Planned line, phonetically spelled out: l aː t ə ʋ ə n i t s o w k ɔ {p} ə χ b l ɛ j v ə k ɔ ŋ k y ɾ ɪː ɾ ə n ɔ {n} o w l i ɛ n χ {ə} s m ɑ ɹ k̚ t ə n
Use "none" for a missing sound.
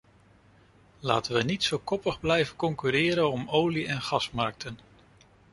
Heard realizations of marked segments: p, m, ɑ

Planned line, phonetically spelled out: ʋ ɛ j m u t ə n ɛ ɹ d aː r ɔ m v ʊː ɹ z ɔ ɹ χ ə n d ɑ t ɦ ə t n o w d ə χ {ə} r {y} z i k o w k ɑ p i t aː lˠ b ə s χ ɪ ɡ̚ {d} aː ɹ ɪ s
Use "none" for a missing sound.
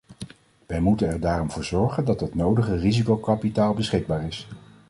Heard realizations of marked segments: ə, i, b

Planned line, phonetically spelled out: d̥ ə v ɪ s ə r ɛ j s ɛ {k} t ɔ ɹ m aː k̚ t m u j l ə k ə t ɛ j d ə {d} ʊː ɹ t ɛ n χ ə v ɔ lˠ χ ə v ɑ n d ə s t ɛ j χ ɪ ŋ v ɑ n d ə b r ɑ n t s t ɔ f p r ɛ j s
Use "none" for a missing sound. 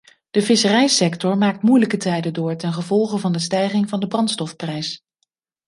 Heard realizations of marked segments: k, d

